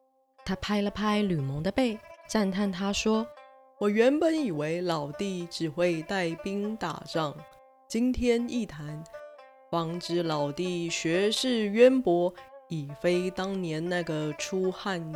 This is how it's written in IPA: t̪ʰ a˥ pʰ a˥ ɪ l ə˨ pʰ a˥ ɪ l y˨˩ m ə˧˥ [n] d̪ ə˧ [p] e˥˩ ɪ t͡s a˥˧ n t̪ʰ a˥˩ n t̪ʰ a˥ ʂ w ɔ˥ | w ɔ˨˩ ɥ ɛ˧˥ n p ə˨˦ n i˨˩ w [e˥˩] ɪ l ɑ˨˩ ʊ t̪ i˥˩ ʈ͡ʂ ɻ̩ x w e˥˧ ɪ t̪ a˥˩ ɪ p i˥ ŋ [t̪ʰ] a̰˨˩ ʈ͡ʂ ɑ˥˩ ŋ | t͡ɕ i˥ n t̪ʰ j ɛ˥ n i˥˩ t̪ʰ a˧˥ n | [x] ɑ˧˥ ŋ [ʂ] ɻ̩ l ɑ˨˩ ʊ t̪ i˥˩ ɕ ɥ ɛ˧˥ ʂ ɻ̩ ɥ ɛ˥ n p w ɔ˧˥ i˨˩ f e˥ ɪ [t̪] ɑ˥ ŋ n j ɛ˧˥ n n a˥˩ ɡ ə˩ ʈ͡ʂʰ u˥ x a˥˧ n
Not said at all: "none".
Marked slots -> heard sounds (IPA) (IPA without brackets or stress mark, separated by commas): ŋ, p, e˧˥, t̪, f, ʈ͡ʂ, t̪